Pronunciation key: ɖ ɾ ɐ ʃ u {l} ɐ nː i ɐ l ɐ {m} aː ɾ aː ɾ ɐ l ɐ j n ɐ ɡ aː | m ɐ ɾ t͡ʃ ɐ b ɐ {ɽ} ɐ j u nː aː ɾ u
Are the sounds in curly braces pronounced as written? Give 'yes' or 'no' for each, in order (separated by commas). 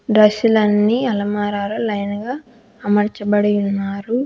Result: yes, yes, yes